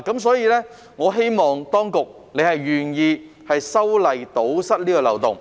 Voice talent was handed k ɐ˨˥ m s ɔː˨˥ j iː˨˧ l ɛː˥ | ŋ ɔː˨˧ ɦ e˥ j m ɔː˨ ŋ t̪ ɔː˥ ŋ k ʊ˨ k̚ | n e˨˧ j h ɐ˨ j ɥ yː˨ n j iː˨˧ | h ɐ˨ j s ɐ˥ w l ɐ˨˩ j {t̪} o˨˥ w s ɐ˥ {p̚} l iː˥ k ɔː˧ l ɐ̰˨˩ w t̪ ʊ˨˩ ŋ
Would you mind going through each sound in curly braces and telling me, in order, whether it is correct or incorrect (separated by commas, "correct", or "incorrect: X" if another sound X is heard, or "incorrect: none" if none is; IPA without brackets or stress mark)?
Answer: correct, incorrect: t̚